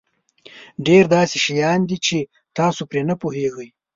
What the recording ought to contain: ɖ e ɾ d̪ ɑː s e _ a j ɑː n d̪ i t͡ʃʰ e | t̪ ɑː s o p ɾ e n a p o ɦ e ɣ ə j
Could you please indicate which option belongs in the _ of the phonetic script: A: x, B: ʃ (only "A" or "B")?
B